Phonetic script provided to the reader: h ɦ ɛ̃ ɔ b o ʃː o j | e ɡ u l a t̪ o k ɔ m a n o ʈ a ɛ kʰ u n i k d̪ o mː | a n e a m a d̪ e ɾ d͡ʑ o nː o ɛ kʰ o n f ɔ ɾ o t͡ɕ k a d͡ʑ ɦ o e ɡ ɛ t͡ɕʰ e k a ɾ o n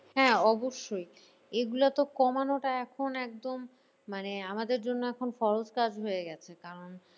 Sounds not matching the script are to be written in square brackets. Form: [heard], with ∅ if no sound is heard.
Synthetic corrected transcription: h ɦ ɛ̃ ɔ b o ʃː o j | e ɡ u l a t̪ o k ɔ m a n o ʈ a ɛ kʰ [o] n [ɛ] k d̪ o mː | a n e a m a d̪ e ɾ d͡ʑ o nː o ɛ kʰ o n f ɔ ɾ o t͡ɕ k a d͡ʑ ɦ o e ɡ ɛ t͡ɕʰ e k a ɾ o n